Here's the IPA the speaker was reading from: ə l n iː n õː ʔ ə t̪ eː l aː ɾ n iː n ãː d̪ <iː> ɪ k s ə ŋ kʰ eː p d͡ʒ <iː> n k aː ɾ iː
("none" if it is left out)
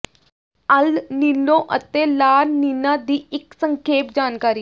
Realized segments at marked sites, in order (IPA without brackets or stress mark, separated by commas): iː, aː